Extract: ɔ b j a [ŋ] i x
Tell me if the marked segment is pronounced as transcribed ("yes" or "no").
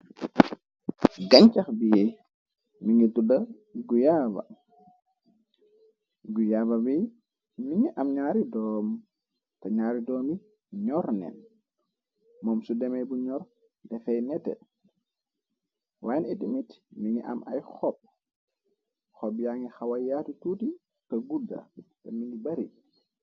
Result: yes